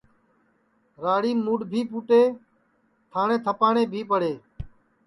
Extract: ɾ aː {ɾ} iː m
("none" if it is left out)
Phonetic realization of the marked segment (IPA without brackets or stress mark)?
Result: ɽ